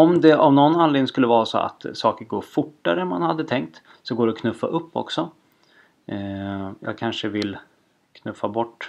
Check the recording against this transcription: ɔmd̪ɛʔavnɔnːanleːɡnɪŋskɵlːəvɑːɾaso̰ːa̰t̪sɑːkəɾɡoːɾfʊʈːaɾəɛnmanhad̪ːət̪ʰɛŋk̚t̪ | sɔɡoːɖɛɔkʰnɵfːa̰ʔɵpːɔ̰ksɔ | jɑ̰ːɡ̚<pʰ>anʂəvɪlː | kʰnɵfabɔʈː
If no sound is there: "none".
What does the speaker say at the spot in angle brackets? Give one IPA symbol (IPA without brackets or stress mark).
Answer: kʰ